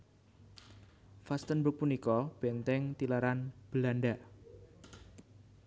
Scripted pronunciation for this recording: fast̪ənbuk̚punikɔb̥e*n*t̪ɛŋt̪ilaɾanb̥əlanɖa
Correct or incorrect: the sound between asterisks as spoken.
correct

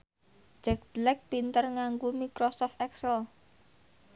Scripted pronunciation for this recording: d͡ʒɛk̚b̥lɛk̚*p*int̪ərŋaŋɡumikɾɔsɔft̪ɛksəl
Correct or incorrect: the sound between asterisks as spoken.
correct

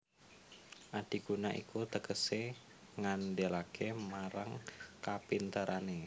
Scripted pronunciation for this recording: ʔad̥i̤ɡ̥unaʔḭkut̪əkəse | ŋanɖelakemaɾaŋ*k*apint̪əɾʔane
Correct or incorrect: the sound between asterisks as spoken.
correct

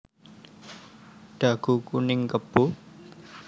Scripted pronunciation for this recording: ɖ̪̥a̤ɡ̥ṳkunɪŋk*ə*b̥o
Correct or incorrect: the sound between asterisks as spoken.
correct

